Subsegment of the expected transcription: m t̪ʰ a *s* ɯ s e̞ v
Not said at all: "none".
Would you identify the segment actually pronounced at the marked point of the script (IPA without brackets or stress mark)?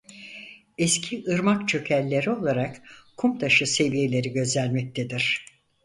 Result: ʃ